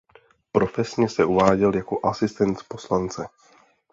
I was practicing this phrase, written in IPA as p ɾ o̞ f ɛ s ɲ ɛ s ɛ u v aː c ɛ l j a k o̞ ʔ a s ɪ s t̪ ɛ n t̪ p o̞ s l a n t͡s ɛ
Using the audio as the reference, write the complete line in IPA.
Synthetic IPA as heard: p ɾ o̞ f ɛ s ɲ ɛ s ɛ u v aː ɟ ɛ l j a k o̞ ʔ a s ɪ s t̪ ɛ n t̪ p o̞ s l a n t͡s ɛ